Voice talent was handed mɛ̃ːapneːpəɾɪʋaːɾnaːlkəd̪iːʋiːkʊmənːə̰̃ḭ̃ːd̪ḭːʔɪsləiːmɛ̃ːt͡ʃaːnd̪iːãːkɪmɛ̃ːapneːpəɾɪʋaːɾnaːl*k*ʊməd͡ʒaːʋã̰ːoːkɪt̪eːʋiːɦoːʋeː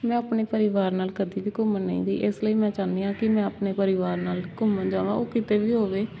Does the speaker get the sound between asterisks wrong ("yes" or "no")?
no